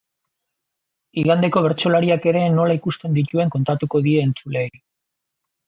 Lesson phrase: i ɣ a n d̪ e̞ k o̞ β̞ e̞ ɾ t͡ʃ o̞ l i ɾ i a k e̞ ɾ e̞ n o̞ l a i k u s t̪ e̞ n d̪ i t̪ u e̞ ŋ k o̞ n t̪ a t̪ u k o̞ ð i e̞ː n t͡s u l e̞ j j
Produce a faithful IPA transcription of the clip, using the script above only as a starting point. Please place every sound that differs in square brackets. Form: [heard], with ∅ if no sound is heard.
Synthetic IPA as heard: i ɣ a n d̪ e̞ k o̞ β̞ e̞ ɾ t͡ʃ o̞ l [a] ɾ i a k e̞ ɾ e̞ n o̞ l a i k u s t̪ e̞ n d̪ i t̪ u e̞ ŋ k o̞ n t̪ a t̪ u k o̞ ð i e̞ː n t͡s u l e̞ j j